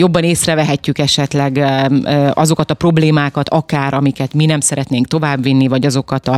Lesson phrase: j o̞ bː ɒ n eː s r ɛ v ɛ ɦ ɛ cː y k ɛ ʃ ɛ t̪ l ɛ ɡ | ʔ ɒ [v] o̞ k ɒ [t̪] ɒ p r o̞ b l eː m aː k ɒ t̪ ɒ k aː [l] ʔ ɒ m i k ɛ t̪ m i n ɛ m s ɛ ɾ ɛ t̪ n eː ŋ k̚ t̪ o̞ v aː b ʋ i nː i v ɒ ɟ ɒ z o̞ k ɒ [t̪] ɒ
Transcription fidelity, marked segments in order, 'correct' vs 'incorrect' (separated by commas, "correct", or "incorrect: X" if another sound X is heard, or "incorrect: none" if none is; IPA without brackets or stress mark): incorrect: z, correct, incorrect: ɾ, correct